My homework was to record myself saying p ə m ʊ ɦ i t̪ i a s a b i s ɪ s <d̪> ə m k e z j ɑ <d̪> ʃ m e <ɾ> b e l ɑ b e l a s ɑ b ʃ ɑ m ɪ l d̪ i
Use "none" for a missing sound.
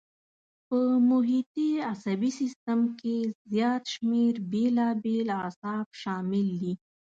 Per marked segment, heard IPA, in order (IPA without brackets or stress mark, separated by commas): t̪, t̪, ɾ